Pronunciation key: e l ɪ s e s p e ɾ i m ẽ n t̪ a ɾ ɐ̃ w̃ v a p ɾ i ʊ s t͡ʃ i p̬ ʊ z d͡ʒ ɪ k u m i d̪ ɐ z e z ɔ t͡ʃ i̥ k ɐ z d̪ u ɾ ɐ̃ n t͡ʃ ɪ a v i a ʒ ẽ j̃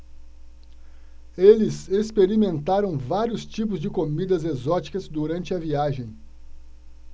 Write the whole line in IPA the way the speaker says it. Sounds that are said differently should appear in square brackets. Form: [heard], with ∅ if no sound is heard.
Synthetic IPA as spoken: e l ɪ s e s p e ɾ i m ẽ n t̪ a ɾ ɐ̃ w̃ v a [∅] ɾ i ʊ s t͡ʃ i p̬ ʊ z d͡ʒ ɪ k [o] m i d̪ ɐ z e z ɔ t͡ʃ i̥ k ɐ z d̪ u ɾ ɐ̃ n t͡ʃ ɪ [ɐ] v i a ʒ ẽ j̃